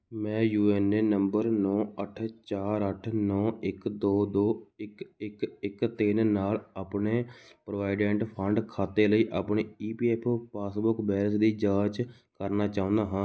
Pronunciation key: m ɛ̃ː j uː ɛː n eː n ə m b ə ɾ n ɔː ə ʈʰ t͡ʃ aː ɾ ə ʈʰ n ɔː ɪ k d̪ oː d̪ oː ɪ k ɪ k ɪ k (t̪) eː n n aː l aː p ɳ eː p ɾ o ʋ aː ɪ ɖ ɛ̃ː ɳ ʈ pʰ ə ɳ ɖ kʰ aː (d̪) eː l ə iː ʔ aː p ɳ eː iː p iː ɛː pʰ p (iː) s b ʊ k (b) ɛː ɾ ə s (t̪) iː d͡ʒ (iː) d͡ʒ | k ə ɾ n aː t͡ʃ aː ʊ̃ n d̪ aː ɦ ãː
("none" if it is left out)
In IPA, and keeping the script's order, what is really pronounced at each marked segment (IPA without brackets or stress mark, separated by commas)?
t̪, t̪, aː, b, d̪, aː